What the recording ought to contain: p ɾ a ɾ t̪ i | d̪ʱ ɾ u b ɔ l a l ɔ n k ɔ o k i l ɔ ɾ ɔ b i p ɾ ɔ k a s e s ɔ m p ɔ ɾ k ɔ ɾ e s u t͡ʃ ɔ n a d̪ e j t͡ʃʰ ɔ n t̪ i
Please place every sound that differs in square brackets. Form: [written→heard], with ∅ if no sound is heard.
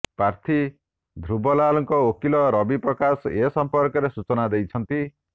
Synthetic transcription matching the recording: p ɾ a ɾ [t̪→t̪ʰ] i | d̪ʱ ɾ u b ɔ l a l ɔ [n→ŋ] k ɔ o k i l ɔ ɾ ɔ b i p ɾ ɔ k a s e s ɔ m p ɔ ɾ k ɔ ɾ e s u t͡ʃ ɔ n a d̪ e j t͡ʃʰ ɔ n t̪ i